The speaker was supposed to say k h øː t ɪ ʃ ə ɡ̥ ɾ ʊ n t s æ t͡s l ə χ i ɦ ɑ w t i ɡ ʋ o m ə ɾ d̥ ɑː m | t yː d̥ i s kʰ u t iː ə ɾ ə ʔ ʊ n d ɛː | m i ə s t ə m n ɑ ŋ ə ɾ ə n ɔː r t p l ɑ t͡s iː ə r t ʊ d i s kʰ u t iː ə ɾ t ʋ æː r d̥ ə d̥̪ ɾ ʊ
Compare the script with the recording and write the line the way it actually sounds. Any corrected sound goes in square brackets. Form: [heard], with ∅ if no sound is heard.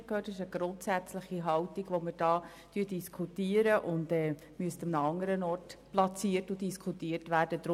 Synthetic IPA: k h øː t ɪ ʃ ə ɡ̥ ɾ ʊ n t s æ t͡s l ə χ i ɦ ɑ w t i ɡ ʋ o m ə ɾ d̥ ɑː [∅] | t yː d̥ i s kʰ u t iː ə ɾ ə ʔ ʊ n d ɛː | m [y] ə s t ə m n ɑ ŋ ə ɾ ə n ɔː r t p l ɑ t͡s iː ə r t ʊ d i s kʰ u t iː ə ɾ t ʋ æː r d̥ ə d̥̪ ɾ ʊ